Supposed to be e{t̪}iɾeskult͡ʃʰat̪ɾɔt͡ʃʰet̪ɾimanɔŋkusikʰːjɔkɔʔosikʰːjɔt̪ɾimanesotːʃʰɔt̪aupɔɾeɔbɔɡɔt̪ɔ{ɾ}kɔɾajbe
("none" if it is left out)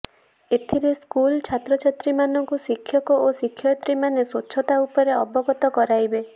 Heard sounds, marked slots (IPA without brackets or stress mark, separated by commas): t̪ʰ, none